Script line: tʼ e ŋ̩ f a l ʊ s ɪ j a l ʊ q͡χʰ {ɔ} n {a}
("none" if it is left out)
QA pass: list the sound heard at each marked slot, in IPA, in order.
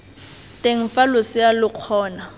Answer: ɔː, a

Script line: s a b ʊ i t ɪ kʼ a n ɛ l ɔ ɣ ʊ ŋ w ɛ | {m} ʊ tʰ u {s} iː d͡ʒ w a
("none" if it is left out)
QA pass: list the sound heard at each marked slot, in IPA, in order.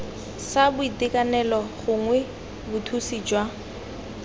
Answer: b, s

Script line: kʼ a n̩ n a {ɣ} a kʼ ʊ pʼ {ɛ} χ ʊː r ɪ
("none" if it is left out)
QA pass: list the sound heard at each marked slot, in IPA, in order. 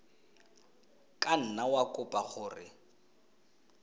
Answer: w, a

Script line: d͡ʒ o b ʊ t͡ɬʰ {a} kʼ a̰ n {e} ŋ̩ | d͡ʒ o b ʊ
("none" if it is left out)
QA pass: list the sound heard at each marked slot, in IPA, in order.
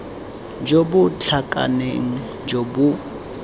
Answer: a, e

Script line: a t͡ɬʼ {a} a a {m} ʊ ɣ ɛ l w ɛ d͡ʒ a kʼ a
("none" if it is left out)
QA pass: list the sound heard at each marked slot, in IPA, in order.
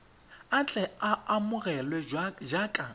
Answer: ɛ, m

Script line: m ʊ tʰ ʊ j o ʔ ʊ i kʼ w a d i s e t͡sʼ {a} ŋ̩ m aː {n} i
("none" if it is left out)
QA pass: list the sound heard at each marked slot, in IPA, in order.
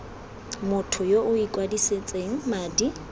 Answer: e, d

